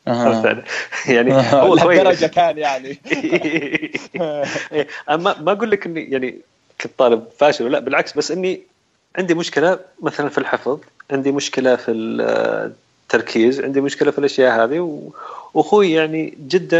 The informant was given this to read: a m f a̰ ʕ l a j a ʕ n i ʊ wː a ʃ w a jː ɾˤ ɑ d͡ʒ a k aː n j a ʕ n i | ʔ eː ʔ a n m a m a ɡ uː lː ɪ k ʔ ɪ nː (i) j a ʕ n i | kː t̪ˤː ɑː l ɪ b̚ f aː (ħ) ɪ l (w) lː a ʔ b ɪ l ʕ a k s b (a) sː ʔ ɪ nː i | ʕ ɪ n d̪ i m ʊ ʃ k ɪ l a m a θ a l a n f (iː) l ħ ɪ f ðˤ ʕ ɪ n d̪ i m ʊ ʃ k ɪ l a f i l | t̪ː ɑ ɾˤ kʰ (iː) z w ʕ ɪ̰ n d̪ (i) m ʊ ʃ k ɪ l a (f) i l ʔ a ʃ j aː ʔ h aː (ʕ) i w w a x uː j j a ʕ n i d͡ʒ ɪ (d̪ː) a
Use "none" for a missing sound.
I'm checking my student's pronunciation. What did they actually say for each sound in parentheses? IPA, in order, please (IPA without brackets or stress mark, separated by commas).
i, ʃ, w, a, i, iː, i, f, ð, d̪ː